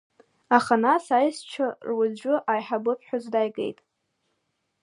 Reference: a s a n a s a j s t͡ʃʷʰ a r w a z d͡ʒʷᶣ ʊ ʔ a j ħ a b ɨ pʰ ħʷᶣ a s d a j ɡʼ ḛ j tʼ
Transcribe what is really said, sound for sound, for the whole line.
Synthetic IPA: a χ a n a s a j s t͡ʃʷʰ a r w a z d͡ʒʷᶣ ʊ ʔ a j ħ a b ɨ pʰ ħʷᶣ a z d a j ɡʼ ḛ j tʼ